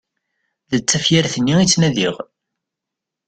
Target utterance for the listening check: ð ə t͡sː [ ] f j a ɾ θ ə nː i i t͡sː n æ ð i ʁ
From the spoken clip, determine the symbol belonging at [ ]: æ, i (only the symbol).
æ